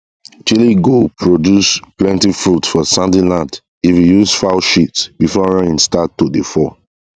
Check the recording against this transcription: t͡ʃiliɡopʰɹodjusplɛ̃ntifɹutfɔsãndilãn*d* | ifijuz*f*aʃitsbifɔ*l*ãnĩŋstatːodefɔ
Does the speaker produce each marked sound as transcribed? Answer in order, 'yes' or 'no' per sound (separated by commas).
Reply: yes, yes, no